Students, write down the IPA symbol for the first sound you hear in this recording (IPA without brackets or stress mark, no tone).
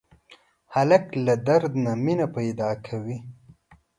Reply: h